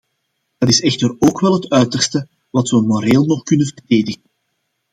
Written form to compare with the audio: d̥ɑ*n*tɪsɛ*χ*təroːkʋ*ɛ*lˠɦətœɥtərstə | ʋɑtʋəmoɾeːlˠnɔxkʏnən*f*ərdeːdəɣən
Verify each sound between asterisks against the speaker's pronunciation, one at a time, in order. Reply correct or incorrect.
incorrect, incorrect, correct, incorrect

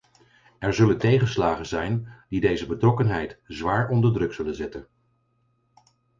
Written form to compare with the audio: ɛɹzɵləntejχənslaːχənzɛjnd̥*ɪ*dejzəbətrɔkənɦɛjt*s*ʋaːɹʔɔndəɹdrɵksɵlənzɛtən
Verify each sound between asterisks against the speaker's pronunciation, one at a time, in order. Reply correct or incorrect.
incorrect, incorrect

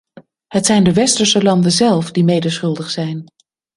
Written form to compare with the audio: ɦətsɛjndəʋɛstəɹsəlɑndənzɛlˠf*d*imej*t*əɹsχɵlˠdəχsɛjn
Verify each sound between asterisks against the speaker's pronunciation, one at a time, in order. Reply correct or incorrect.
correct, incorrect

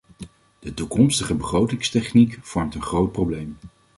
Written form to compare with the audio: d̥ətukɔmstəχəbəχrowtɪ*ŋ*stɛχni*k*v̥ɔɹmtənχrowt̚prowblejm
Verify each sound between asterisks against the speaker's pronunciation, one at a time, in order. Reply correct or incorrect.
correct, correct

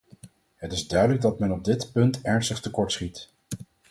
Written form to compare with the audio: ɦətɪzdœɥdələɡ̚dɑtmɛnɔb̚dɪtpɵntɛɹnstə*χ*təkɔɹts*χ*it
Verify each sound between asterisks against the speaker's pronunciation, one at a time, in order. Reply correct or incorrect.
correct, correct

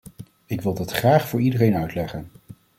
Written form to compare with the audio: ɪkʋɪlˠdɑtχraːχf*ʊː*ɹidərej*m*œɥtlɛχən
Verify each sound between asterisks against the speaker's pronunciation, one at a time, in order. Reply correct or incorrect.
correct, incorrect

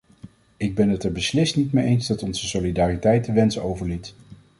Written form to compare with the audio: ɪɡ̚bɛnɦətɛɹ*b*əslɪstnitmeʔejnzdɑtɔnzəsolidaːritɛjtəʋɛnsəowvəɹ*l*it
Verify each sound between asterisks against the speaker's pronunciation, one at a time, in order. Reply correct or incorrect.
correct, correct

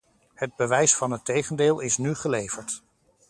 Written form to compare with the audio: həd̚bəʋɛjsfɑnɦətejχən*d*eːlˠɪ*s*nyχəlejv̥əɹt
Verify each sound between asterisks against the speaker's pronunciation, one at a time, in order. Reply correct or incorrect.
correct, correct

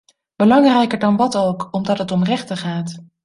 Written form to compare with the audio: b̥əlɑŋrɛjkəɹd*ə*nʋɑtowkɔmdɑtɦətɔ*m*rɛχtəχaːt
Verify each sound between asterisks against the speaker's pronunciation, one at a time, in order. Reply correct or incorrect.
incorrect, correct

